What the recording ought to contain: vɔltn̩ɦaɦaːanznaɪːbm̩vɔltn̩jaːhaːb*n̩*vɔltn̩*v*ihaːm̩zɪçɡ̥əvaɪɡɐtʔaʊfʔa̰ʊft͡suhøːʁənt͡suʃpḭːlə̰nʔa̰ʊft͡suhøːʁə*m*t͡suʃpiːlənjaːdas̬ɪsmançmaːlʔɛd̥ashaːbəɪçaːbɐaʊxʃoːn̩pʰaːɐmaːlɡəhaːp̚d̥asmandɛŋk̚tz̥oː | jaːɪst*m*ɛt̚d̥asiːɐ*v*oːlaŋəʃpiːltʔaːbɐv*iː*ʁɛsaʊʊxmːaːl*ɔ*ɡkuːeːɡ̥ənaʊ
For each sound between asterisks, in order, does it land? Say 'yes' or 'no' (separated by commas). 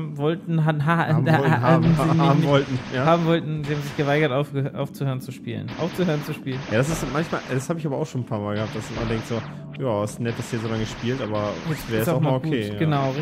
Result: no, no, no, no, no, no, no